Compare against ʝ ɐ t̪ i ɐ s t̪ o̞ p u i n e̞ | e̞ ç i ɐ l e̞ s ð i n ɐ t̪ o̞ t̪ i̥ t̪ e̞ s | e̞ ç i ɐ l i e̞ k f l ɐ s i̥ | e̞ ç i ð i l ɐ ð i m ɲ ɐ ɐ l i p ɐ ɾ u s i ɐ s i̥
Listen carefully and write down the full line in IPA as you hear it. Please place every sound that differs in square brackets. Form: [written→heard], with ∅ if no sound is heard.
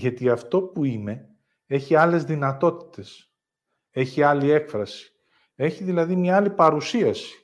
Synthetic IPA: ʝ ɐ t̪ i ɐ [s→f] t̪ o̞ p u i n e̞ | e̞ ç i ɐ l e̞ [s→z] ð i n ɐ t̪ o̞ t̪ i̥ t̪ e̞ s | e̞ ç i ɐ l i e̞ k f [l→ɾ] ɐ s i̥ | e̞ ç i ð i l ɐ ð i m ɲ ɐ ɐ l i p ɐ ɾ u s i ɐ s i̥